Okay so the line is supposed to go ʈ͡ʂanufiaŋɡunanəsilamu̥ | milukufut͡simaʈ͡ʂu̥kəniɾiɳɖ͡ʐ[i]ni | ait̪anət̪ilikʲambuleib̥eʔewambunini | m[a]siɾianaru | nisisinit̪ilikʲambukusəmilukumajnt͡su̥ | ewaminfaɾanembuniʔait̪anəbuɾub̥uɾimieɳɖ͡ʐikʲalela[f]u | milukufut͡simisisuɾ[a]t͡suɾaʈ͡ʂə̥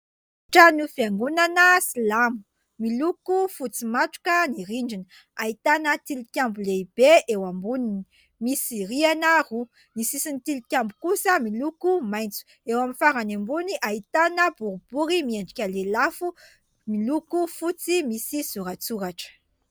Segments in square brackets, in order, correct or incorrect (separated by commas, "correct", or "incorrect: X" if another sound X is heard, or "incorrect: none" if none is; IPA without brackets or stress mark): correct, incorrect: i, correct, correct